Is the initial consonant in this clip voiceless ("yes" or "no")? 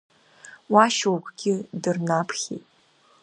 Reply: no